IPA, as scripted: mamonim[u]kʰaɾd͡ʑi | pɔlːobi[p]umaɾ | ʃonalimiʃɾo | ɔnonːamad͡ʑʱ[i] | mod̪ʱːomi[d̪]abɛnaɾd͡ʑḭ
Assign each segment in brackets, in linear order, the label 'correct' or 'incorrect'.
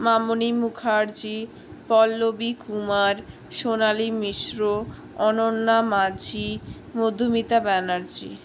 correct, incorrect: k, correct, incorrect: t̪

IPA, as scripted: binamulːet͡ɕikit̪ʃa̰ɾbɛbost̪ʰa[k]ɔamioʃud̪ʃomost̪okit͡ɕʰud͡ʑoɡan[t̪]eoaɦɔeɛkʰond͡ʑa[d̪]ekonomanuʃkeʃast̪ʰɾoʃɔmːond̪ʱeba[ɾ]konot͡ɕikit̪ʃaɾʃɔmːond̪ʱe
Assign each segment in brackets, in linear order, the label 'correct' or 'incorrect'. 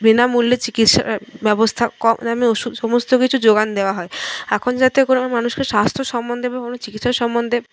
correct, incorrect: d̪, incorrect: t̪, incorrect: none

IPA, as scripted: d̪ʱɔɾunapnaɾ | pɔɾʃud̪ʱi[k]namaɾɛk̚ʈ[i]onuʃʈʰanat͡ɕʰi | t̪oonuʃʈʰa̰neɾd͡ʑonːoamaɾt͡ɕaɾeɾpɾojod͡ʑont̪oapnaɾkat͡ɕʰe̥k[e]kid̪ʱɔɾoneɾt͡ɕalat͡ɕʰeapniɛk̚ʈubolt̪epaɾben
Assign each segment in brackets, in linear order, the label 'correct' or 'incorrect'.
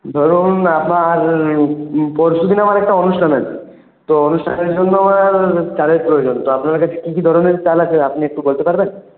incorrect: none, incorrect: a, incorrect: i

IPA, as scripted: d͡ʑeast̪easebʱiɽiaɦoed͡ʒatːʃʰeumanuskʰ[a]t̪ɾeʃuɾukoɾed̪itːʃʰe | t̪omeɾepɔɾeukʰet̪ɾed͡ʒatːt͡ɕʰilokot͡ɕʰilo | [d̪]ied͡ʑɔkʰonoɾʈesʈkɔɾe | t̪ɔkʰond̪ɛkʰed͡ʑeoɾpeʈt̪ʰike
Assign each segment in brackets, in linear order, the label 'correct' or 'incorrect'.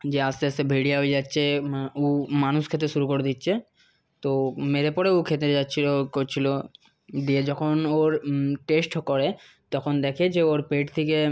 incorrect: e, correct

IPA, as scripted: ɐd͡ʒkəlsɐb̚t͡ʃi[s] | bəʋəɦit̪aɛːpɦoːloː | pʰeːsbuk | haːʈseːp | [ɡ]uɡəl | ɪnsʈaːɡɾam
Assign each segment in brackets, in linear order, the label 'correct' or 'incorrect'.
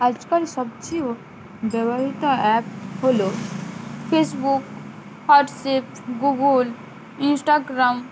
incorrect: none, correct

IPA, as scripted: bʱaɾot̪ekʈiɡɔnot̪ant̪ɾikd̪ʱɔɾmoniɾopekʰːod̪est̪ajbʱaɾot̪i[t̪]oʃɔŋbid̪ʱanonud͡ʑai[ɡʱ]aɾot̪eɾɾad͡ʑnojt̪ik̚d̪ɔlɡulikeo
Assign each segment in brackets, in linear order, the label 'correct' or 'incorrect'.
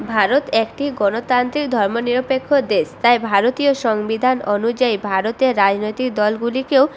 incorrect: none, incorrect: bʱ

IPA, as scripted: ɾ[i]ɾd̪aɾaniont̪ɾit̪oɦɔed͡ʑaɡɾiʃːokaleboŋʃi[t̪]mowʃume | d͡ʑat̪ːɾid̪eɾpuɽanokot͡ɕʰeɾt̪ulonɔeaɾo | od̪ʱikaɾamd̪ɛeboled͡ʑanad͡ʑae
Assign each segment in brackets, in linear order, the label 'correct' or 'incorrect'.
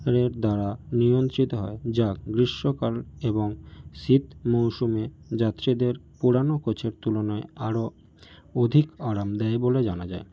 incorrect: e, correct

